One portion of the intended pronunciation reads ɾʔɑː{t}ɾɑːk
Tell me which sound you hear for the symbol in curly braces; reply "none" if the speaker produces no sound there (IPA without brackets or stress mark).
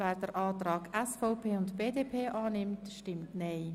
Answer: t